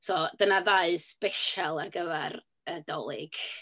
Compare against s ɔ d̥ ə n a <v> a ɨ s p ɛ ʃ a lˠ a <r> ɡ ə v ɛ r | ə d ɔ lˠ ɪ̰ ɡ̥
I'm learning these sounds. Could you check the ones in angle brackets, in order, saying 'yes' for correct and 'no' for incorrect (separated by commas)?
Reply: no, yes